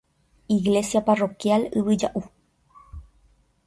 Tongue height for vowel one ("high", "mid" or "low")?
high